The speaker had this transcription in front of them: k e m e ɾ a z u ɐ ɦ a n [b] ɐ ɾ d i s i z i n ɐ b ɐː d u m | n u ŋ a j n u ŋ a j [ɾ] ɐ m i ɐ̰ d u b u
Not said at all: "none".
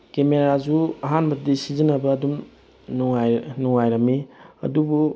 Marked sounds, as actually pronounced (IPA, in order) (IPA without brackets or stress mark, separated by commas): b, ɾ